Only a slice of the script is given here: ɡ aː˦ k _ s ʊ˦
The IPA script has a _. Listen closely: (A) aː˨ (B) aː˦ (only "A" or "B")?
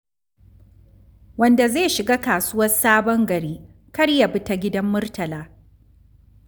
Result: A